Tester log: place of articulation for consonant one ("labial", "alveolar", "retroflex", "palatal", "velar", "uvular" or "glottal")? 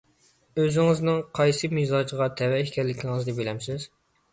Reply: alveolar